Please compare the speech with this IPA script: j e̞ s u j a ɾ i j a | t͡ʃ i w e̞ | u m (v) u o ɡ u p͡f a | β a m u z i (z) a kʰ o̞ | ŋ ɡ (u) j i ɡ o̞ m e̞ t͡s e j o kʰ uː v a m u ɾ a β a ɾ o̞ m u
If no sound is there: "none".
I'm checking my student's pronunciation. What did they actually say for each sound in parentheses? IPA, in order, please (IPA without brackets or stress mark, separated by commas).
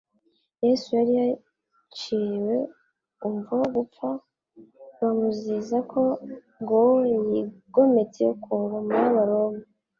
v, z, o